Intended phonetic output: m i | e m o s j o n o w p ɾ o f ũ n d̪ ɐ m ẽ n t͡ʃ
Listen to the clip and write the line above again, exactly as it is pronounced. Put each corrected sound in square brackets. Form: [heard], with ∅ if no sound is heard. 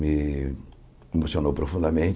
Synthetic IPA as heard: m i | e m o s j o n o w p ɾ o f ũ n d̪ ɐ m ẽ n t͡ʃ